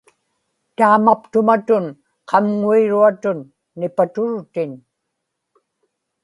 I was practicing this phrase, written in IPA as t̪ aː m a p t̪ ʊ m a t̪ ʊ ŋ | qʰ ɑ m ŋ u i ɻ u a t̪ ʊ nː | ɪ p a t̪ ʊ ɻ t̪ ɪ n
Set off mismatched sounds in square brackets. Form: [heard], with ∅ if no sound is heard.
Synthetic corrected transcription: t̪ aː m a p t̪ ʊ m a t̪ ʊ [n] | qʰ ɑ m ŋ u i ɻ u a t̪ ʊ nː | ɪ p a t̪ ʊ ɻ t̪ ɪ n